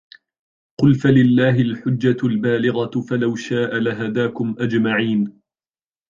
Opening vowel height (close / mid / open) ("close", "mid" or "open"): close